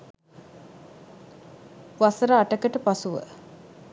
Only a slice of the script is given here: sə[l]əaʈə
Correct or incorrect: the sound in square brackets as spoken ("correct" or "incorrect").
incorrect